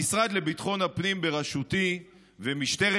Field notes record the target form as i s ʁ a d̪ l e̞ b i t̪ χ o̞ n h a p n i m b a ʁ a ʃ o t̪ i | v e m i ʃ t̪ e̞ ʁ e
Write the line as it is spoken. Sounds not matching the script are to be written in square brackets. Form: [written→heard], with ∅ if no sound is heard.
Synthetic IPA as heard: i s ʁ a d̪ l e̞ b i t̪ χ o̞ n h a p n i m b [a→e] ʁ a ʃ [o→u] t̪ i | v e m i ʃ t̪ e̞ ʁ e

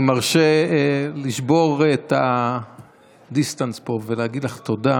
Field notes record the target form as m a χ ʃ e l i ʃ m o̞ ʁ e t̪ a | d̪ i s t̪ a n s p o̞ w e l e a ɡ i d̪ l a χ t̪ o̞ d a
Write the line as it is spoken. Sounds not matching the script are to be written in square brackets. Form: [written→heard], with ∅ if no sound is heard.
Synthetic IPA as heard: m a [χ→ʁ] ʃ e l i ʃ [m→b] o̞ ʁ e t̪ a | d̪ i s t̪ a n s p o̞ [w→v] e l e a ɡ i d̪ l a χ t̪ o̞ d a

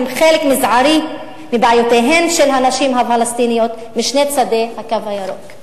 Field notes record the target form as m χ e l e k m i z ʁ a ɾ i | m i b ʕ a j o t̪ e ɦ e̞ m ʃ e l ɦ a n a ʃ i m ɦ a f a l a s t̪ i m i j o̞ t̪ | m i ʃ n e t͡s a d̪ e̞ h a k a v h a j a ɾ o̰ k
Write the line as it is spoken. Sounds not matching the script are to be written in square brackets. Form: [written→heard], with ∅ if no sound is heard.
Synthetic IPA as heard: m χ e l e k m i z [ʁ→ʕ] a ɾ i | m i b ʕ a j o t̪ e ɦ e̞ m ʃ e l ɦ a n a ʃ i m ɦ a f a l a s t̪ i [m→n] i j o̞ t̪ | m i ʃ n e t͡s a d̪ e̞ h a k a v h a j a ɾ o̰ k

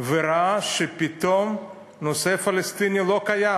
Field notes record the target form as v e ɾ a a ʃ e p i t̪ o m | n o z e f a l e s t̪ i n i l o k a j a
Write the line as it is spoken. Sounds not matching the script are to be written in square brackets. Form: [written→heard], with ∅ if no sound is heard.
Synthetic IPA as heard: v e ɾ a a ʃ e p i t̪ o m | n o [z→s] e f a l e s t̪ i n i l o k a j a

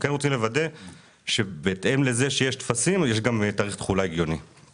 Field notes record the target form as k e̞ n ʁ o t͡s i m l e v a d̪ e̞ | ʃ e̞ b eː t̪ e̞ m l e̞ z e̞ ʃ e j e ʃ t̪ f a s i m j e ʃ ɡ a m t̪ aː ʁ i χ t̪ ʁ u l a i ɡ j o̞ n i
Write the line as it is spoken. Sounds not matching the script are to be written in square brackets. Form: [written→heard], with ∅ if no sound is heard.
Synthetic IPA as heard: k e̞ n ʁ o t͡s i m l e v a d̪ e̞ | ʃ e̞ b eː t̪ e̞ m l e̞ z e̞ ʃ e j e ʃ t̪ f a s i m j e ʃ ɡ a m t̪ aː ʁ i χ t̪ [ʁ→χ] u l a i ɡ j o̞ n i

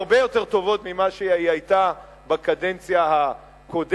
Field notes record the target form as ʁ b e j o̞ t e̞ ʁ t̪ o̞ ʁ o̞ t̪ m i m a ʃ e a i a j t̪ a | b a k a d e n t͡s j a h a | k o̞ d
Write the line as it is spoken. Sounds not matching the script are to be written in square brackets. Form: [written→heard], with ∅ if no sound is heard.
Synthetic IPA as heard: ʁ b e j o̞ t e̞ ʁ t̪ o̞ [ʁ→v] o̞ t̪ m i m a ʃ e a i a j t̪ a | b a k a d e n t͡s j a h a | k o̞ d

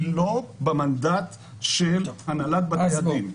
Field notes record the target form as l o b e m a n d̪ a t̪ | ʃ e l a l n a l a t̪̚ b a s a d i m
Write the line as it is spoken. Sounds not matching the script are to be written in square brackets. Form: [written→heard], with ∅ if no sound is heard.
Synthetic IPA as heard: l o b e m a n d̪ a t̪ | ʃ e l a [l→∅] n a l a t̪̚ b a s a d i m

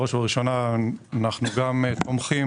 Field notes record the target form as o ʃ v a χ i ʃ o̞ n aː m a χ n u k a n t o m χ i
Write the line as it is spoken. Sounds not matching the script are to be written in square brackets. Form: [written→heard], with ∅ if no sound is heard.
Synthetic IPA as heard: o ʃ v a [χ→ʁ] i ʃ o̞ n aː [m→n] a χ n u [k→ɡ] a [n→m] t o m χ i

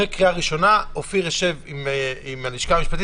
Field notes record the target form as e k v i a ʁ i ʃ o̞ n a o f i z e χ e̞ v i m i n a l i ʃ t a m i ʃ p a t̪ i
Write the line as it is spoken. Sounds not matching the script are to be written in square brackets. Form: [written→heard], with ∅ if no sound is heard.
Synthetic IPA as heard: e k [v→ʁ] i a ʁ i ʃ o̞ n a o f i [z→ʁ] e [χ→ʃ] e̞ v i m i [n→m] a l i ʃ [t→k] a m i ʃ p a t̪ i

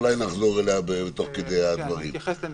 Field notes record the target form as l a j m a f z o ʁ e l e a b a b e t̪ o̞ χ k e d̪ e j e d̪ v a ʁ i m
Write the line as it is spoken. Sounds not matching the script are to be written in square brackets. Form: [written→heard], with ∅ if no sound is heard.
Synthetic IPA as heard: l a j [m→n] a [f→χ] z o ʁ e l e a b [a→e] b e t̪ o̞ χ k e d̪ e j [e→a] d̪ v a ʁ i m

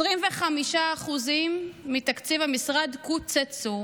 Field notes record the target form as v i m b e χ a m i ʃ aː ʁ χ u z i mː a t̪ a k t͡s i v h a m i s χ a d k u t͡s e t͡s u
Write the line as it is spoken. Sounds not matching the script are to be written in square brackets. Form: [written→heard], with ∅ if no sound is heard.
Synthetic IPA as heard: [v→ʁ] i m [b→v] e χ a m i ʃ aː [ʁ→∅] χ u z i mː [a→i] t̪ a k t͡s i v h a m i s [χ→ʁ] a d k u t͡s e t͡s u

